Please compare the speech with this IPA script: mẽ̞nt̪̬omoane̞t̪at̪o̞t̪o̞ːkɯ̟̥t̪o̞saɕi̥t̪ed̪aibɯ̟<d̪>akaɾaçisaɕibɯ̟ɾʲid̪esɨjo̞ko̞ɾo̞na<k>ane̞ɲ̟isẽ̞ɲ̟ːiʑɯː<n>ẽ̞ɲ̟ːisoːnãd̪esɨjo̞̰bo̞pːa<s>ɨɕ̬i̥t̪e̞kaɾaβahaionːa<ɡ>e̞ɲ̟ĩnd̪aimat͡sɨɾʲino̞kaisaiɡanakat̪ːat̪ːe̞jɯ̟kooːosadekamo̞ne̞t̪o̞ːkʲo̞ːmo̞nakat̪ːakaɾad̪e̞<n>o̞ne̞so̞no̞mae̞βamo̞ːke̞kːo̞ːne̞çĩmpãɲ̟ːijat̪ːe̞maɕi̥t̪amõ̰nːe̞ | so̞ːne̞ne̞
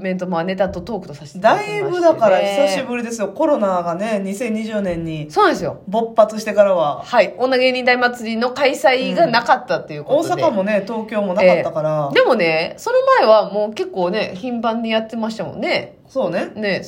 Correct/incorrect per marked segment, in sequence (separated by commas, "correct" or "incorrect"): correct, incorrect, correct, incorrect, correct, incorrect